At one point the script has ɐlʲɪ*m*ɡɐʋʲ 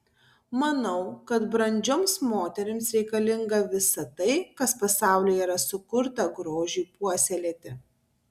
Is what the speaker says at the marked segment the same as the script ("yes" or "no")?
no